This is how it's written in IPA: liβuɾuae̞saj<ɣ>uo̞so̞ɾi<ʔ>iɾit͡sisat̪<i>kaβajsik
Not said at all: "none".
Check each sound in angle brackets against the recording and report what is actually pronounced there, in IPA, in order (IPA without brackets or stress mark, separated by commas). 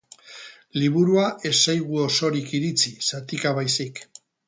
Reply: ɣ, k, i